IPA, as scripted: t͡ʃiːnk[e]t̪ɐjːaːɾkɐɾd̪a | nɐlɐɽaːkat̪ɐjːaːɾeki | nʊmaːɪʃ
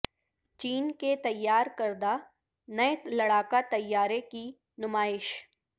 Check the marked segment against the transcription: correct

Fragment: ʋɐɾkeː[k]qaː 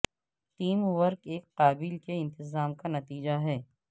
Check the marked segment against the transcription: correct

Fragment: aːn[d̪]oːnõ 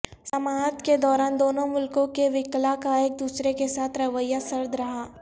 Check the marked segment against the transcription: correct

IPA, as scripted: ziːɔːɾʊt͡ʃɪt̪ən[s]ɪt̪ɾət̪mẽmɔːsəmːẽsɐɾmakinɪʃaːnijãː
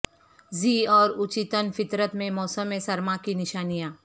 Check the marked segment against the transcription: incorrect: f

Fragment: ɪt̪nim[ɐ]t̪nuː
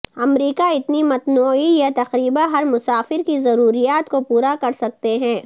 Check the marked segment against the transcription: correct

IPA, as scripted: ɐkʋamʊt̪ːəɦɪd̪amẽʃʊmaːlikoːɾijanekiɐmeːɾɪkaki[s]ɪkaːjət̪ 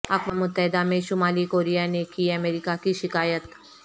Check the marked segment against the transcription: incorrect: ʃ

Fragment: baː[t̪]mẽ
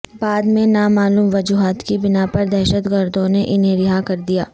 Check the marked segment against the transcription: incorrect: d̪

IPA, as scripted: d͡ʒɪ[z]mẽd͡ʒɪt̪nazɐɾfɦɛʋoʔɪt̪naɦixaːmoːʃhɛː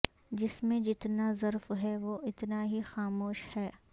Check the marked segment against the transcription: incorrect: s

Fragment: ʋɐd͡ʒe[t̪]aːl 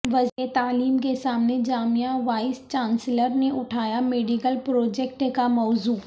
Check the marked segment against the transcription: correct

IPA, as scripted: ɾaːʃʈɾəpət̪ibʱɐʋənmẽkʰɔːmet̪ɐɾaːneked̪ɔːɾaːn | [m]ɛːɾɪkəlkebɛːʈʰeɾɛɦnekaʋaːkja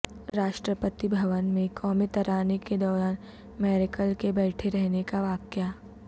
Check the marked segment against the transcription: correct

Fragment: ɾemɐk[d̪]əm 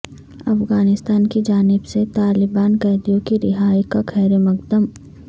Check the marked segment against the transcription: correct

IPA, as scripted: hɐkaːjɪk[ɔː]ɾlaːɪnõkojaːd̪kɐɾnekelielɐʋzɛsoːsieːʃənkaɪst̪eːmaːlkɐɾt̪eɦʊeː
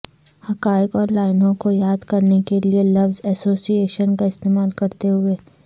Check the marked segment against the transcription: correct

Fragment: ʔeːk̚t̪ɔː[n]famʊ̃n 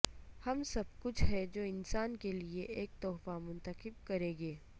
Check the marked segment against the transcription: incorrect: none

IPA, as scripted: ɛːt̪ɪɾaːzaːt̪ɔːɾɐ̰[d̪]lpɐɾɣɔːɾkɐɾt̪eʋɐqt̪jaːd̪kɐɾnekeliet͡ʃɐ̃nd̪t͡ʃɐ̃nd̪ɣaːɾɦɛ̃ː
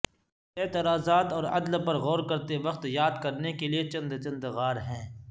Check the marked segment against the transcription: correct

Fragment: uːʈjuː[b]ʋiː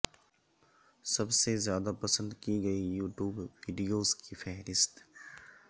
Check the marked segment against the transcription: correct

